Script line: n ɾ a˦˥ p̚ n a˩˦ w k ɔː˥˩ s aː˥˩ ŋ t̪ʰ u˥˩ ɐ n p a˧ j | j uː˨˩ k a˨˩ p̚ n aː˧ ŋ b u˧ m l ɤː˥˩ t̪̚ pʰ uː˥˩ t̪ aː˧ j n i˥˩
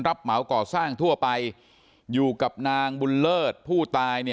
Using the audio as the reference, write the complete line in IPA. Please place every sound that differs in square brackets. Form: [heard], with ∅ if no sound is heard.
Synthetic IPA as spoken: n ɾ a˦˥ p̚ [m] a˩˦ w k [ɔː˨˩] s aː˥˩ ŋ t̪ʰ u˥˩ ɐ [∅] p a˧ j | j uː˨˩ k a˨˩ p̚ n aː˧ ŋ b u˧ [n] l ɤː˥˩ t̪̚ pʰ uː˥˩ t̪ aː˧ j n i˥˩

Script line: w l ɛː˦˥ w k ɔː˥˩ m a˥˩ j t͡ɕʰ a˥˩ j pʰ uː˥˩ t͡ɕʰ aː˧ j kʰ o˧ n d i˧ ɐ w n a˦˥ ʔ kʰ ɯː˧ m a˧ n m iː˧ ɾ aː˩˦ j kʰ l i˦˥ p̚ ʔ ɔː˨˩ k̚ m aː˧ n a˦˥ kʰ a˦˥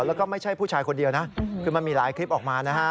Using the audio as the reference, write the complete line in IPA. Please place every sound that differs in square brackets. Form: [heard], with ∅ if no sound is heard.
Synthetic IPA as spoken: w l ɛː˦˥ w k ɔː˥˩ m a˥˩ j t͡ɕʰ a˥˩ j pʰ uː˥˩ t͡ɕʰ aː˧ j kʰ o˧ n d i˧ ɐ w n a˦˥ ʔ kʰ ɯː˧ m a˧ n m iː˧ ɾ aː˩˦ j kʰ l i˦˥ p̚ ʔ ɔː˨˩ k̚ m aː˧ n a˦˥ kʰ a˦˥

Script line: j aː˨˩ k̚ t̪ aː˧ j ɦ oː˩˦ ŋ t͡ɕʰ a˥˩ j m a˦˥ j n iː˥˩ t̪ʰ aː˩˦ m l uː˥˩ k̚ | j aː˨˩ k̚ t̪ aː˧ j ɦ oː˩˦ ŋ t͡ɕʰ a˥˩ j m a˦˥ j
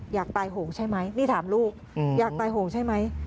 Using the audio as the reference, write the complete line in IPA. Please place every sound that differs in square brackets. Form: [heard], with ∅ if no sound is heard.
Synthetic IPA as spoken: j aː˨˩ k̚ t̪ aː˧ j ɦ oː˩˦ ŋ t͡ɕʰ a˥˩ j m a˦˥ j n iː˥˩ t̪ʰ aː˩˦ m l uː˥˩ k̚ | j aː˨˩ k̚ t̪ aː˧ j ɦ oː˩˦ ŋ t͡ɕʰ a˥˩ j m a˦˥ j

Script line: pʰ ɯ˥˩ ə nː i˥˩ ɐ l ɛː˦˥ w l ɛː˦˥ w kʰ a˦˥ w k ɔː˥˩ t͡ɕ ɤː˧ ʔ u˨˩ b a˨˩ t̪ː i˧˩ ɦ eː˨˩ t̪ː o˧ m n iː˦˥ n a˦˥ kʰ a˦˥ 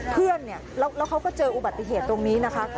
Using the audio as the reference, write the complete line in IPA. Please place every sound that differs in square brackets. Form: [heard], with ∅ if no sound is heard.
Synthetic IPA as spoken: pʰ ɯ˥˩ ə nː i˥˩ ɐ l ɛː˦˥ w l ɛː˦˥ w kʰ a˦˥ w k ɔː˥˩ t͡ɕ ɤː˧ ʔ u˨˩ b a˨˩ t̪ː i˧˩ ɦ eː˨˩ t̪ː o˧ [ŋ] n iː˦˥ n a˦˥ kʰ a˦˥

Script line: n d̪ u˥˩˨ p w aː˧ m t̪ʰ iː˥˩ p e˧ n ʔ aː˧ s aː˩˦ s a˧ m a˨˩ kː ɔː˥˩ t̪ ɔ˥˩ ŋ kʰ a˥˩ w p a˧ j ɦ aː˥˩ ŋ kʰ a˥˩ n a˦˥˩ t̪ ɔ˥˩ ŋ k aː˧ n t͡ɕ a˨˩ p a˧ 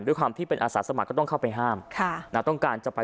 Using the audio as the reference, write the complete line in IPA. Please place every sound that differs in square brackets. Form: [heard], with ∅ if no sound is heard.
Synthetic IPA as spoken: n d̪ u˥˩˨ [k] w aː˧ m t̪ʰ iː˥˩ p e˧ n ʔ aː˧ s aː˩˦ s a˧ m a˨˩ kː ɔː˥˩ t̪ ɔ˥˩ ŋ kʰ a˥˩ w p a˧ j ɦ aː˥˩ [m] kʰ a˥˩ n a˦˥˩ t̪ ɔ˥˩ ŋ k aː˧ n t͡ɕ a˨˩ p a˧

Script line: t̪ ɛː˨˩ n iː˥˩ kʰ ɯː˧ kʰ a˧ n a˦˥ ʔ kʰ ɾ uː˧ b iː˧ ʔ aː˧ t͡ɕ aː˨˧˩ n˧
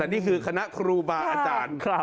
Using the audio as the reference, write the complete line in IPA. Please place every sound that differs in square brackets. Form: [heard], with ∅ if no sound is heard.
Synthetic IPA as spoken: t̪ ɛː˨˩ n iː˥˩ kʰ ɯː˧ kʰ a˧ n a˦˥ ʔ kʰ ɾ uː˧ b [aː˧] ʔ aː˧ t͡ɕ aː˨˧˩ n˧

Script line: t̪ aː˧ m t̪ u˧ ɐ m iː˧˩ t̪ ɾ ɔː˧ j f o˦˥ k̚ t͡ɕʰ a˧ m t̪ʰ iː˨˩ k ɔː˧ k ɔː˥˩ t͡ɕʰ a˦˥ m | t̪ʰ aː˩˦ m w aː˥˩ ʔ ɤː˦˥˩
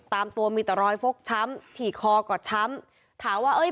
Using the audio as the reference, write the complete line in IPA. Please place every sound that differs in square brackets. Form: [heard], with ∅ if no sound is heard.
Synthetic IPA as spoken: t̪ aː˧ m t̪ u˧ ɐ m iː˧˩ t̪ ɾ ɔː˧ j f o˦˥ k̚ t͡ɕʰ [a˦˥] m t̪ʰ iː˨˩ [kʰ] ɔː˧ k [ɔː˨˩] t͡ɕʰ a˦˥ m | t̪ʰ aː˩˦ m w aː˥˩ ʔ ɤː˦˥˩

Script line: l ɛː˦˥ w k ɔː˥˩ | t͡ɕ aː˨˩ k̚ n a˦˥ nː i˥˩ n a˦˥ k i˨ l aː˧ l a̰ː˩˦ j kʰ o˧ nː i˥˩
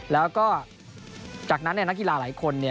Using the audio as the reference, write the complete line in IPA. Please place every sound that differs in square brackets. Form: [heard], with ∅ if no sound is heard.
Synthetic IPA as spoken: l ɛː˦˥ w k ɔː˥˩ | t͡ɕ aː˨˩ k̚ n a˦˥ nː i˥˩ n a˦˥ k i˨ l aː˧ l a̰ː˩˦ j kʰ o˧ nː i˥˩

